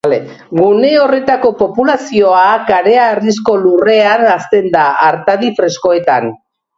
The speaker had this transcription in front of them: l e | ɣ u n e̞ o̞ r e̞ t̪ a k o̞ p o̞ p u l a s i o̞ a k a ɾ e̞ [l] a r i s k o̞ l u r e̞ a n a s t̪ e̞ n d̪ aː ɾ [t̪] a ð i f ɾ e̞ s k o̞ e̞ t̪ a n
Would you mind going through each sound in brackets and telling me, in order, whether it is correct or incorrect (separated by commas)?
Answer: incorrect, correct